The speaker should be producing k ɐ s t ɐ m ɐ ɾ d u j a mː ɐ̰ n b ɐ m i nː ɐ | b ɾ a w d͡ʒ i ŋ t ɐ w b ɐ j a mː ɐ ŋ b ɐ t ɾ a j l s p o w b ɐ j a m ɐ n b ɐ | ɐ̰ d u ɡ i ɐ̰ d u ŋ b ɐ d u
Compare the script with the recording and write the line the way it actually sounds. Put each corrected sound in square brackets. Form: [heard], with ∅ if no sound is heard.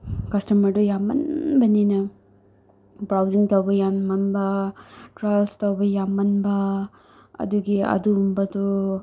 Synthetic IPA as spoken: k ɐ s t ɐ m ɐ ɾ d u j a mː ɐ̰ n b ɐ [n] i [n] ɐ | b ɾ a w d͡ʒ i ŋ t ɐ w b ɐ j a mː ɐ [n] b ɐ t ɾ a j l s [t] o w b ɐ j a m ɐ n b ɐ | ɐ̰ d u ɡ i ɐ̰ d u [m] b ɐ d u